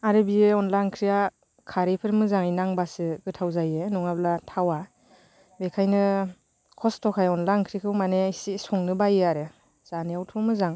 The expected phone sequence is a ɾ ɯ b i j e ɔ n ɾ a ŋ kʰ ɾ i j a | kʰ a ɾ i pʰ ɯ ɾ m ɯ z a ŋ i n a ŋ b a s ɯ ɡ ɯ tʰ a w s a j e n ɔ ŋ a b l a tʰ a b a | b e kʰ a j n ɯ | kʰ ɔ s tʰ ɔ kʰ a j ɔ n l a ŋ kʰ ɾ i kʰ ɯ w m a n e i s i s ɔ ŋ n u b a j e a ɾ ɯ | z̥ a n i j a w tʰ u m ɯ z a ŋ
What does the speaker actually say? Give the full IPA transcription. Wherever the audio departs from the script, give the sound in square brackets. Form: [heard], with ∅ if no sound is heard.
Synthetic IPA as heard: a ɾ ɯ b i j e ɔ n [l] a ŋ kʰ ɾ i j a | kʰ a ɾ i pʰ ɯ ɾ m ɯ z a ŋ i n a ŋ b a s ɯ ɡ ɯ tʰ a w [z] a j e n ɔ ŋ a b l a tʰ a [w] a | b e kʰ a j n ɯ | kʰ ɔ s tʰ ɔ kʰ a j ɔ n l a ŋ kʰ ɾ i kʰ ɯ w m a n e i s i s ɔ ŋ n [ɯ] b a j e a ɾ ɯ | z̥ a n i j a w tʰ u m ɯ z a ŋ

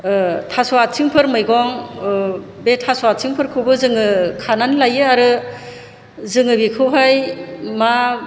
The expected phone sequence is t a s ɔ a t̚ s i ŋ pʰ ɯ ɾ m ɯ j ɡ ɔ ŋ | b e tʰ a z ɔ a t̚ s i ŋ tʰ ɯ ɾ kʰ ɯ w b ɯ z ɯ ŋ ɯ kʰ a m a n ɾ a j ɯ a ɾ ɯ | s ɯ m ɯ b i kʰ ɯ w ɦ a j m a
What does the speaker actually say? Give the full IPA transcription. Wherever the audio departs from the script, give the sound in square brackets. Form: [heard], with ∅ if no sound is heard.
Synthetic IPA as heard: [tʰ] a s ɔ a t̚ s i ŋ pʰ ɯ ɾ m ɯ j ɡ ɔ ŋ | b e tʰ a [s] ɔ a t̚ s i ŋ [pʰ] ɯ ɾ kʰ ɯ w b ɯ z ɯ ŋ ɯ kʰ a [n] a n [l] a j ɯ a ɾ ɯ | [z] ɯ [ŋ] ɯ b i kʰ ɯ w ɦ a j m a

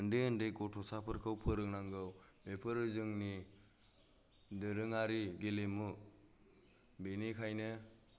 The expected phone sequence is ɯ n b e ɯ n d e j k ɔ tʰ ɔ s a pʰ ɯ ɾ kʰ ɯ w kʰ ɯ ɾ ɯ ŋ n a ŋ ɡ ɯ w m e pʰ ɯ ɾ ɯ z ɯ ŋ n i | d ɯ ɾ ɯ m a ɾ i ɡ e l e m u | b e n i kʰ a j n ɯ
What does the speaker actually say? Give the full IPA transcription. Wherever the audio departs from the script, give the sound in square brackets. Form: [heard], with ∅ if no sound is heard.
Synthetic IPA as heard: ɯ n [d] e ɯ n d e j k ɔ tʰ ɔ s a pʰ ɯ ɾ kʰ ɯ w [pʰ] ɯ ɾ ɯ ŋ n a ŋ ɡ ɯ w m e pʰ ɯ ɾ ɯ z ɯ ŋ n i | d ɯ ɾ ɯ [ŋ] a ɾ i ɡ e l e m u | b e n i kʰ a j n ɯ

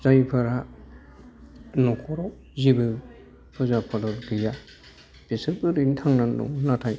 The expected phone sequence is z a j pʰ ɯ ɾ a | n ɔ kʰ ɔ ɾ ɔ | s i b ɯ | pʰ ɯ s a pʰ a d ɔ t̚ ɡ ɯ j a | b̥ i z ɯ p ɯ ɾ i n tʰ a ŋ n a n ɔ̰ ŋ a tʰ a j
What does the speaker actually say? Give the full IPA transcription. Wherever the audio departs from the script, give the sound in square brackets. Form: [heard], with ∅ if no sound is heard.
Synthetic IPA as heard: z a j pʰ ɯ ɾ a | n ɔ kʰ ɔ ɾ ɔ | [z] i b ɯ | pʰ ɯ [z] a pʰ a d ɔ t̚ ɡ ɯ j a | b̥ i [s] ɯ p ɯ ɾ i n tʰ a ŋ n a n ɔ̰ [n] a tʰ a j

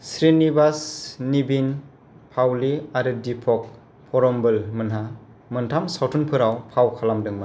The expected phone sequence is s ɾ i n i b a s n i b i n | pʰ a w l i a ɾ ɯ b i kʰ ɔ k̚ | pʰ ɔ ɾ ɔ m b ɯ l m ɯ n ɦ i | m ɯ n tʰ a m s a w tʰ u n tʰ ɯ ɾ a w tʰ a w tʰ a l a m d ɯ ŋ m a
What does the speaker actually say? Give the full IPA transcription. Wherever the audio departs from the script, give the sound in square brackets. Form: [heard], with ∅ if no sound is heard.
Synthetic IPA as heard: s ɾ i n i b a s n i b i n | pʰ a w l i a ɾ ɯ [d] i [pʰ] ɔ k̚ | pʰ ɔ ɾ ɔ m b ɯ l m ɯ n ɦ [a] | m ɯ n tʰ a m s a w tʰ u n [pʰ] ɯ ɾ a w [pʰ] a w [kʰ] a l a m d ɯ ŋ m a

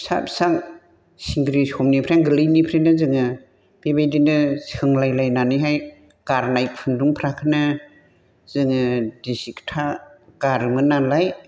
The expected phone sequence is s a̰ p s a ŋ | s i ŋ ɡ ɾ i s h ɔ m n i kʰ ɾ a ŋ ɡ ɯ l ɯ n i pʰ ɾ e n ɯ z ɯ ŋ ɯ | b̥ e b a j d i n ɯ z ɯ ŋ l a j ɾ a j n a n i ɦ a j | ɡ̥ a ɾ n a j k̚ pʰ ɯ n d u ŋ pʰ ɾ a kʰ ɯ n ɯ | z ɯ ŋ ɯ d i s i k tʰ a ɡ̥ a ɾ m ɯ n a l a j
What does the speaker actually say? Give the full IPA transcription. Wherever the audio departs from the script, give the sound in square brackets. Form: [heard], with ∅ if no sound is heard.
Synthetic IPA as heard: s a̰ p s a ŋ | s i ŋ ɡ ɾ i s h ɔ m n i [pʰ] ɾ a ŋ ɡ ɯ l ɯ n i pʰ ɾ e n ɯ z ɯ ŋ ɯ | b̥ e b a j d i n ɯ [s] ɯ ŋ l a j [l] a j n a n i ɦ a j | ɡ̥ a ɾ n a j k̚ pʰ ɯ n d u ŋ pʰ ɾ a kʰ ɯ n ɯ | z ɯ ŋ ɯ d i s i k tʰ a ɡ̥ a ɾ m ɯ n a l a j

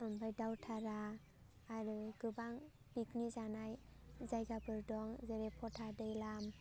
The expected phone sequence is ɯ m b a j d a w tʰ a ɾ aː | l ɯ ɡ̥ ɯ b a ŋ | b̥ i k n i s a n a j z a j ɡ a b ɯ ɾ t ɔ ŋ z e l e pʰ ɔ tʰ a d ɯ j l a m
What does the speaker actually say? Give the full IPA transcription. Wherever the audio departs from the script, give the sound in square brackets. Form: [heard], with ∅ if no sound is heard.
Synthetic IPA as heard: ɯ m b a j d a w tʰ a ɾ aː | [ɾ] ɯ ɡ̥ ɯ b a ŋ | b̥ i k n i [z] a n a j z a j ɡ a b ɯ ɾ [d] ɔ ŋ z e [ɾ] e pʰ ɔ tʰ a d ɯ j l a m

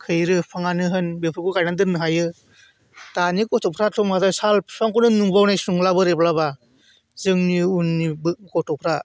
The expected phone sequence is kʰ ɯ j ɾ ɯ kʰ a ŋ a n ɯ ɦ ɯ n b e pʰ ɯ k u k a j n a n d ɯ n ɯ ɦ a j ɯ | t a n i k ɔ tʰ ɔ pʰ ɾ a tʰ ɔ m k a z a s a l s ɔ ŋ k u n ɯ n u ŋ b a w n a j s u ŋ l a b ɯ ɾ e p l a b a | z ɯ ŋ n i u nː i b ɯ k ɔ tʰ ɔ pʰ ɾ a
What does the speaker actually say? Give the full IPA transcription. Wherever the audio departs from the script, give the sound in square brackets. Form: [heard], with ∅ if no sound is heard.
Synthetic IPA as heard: kʰ ɯ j ɾ ɯ [pʰ] a ŋ a n ɯ ɦ ɯ n b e pʰ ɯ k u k a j n a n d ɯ n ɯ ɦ a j ɯ | t a n i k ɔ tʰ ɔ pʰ ɾ a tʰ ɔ m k a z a s a l s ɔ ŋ k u n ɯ n u ŋ b a w n a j s u ŋ l a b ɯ ɾ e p l a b a | z ɯ ŋ n i u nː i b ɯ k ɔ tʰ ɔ pʰ ɾ a

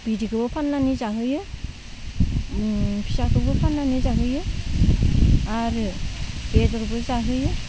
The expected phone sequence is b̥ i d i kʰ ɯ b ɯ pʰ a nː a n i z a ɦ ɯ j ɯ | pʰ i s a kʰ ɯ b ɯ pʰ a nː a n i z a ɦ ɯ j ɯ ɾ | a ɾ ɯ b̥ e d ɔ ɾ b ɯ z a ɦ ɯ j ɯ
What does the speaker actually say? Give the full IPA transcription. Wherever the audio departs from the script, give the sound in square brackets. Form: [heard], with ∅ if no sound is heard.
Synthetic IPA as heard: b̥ i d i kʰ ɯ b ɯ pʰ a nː a n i z a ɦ ɯ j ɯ | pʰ i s a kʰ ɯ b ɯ pʰ a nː a n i z a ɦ ɯ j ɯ [∅] | a ɾ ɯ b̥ e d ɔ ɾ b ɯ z a ɦ ɯ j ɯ

